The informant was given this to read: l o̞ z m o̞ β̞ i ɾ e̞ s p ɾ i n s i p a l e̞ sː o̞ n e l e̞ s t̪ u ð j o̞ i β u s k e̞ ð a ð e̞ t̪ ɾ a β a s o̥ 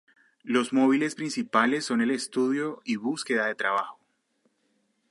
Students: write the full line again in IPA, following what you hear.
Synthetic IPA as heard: l o̞ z m o̞ β̞ i l e̞ s p ɾ i n s i p a l e̞ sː o̞ n e l e̞ s t̪ u ð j o̞ i β u s k e̞ ð a ð e̞ t̪ ɾ a β a x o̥